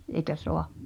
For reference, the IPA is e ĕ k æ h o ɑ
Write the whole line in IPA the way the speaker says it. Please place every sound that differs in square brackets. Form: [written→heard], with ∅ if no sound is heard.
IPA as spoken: e [ĕ→ĭ] k æ [h→s] o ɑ